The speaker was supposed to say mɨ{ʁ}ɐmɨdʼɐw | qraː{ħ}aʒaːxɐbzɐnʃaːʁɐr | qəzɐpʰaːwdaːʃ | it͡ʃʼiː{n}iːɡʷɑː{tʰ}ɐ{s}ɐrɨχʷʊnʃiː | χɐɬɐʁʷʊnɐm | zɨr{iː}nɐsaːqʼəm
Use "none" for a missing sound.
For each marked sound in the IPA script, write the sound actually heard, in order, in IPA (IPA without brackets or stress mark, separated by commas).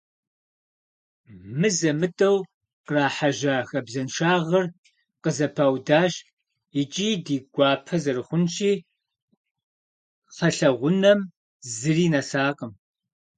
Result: z, ħ, d, pʰ, z, iː